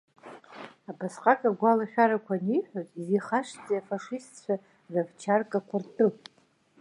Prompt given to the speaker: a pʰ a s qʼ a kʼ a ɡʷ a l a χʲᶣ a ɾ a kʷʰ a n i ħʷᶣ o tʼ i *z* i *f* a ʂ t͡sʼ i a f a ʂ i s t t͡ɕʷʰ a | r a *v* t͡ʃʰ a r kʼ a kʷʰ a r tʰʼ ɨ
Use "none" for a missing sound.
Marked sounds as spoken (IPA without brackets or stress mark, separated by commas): z, χ, v